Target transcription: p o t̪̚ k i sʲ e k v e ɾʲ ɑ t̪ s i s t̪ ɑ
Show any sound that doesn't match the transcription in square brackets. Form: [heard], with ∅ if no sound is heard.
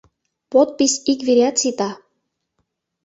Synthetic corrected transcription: p o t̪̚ [p] i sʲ [i] k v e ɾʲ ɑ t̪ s i [∅] t̪ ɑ